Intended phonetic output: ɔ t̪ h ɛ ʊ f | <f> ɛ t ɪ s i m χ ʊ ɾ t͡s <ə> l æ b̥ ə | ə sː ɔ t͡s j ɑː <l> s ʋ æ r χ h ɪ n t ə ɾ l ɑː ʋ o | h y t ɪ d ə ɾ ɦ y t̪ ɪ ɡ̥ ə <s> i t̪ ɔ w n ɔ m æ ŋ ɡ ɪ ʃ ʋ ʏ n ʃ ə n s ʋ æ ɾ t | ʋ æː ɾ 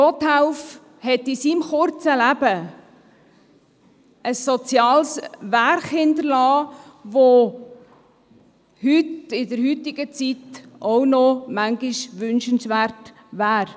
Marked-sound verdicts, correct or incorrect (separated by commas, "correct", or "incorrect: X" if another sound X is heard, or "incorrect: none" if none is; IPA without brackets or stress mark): incorrect: h, correct, correct, incorrect: t͡s